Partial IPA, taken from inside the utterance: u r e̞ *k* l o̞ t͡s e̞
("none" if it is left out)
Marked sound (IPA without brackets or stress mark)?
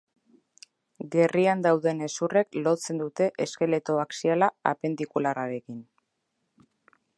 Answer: k